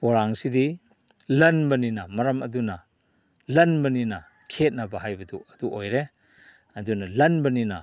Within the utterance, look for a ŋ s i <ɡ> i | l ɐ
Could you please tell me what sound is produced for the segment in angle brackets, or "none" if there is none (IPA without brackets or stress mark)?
d